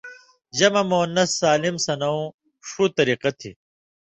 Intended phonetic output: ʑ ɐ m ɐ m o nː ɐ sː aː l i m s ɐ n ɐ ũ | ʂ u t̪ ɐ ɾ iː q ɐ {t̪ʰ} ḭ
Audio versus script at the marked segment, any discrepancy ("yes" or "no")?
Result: no